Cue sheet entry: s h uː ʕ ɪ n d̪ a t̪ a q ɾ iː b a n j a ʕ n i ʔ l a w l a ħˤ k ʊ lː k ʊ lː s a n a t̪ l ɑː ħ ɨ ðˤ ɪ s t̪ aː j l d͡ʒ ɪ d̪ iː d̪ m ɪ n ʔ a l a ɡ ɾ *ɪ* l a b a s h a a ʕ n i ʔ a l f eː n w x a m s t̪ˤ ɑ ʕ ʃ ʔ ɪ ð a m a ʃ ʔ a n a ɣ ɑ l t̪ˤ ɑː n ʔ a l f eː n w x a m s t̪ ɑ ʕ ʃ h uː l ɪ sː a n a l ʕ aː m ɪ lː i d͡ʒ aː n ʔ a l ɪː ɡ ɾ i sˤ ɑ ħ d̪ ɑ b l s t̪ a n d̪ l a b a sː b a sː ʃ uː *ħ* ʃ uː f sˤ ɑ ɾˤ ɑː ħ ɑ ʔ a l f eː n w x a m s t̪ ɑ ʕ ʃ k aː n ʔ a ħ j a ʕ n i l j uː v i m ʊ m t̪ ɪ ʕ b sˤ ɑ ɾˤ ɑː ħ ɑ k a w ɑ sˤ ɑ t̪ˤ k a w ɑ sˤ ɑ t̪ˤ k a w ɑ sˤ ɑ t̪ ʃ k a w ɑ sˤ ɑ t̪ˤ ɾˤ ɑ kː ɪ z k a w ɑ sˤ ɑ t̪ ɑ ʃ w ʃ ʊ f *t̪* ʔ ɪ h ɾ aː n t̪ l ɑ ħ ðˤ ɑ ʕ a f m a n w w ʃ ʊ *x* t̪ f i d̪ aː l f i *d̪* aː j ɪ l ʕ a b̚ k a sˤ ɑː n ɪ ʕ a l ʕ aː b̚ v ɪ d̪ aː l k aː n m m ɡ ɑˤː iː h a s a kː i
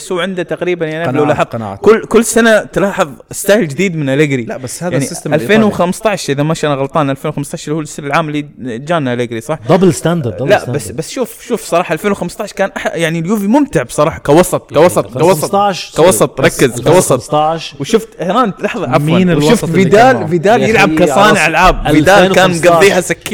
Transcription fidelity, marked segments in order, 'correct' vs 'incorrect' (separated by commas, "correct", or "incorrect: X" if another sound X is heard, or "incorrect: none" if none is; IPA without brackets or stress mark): incorrect: i, incorrect: f, correct, incorrect: f, correct